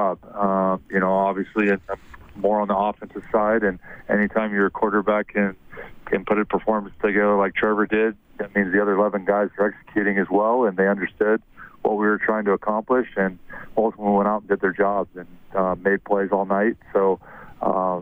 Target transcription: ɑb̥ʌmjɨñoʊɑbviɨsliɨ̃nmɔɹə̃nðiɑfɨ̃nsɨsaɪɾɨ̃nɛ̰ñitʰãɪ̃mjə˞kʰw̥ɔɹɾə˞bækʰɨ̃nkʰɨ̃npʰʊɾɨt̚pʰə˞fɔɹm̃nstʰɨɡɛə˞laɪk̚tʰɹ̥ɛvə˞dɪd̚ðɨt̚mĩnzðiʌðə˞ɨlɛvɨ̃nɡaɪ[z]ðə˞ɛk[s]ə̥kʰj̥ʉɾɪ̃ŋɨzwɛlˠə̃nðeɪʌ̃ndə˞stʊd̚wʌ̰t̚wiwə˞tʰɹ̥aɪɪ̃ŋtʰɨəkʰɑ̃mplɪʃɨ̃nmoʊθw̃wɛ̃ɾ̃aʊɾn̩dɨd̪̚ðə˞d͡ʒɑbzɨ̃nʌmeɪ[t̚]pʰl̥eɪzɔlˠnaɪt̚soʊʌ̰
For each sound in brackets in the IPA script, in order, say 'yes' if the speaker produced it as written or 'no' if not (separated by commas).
yes, yes, no